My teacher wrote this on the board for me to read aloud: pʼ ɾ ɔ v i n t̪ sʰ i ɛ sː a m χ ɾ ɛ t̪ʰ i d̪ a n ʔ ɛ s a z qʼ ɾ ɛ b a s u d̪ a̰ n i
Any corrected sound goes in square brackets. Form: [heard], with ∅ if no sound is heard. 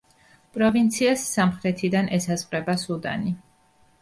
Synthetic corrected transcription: pʼ ɾ ɔ v i n t̪ sʰ i [a] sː a m χ ɾ ɛ t̪ʰ i d̪ a n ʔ ɛ s a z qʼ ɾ ɛ b a s u d̪ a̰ n i